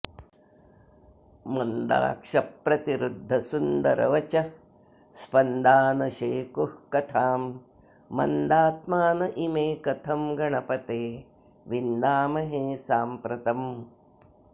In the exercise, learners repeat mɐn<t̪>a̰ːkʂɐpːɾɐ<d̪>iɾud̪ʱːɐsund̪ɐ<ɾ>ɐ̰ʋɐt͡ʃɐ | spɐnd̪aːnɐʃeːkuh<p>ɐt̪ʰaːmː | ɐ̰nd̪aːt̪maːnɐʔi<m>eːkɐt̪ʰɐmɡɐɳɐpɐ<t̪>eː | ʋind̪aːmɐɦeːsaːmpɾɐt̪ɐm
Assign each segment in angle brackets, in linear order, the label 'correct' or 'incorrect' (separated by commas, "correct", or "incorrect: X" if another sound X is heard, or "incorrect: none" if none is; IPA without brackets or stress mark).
incorrect: d̪, incorrect: t̪, correct, incorrect: k, correct, correct